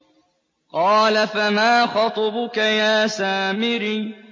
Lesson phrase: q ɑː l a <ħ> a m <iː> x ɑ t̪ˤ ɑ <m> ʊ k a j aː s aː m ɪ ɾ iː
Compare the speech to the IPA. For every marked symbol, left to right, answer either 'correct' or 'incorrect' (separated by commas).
incorrect, incorrect, incorrect